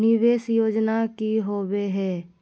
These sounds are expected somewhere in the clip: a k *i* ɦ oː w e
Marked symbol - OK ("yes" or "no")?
yes